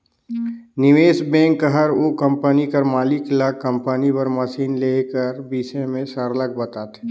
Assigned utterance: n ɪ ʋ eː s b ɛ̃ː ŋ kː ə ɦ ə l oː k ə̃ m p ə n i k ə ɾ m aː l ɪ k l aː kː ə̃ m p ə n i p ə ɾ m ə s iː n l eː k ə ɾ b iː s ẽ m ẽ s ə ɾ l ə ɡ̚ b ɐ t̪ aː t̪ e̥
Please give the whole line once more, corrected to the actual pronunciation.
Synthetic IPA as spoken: n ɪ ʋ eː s b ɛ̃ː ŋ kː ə ɦ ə ɾ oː k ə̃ m p ə n i k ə ɾ m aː l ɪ k l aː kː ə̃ m p ə n i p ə ɾ m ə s iː n l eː k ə ɾ b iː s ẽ m ẽ s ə ɾ l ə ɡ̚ b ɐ t̪ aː t̪ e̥